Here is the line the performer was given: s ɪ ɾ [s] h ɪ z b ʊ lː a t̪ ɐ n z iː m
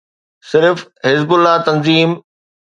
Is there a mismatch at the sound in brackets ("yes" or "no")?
yes